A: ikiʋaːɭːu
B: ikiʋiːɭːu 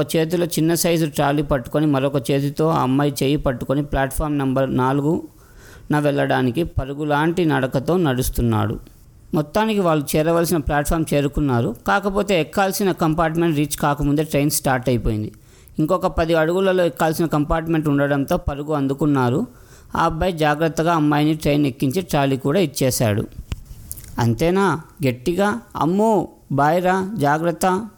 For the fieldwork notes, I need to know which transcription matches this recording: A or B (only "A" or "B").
A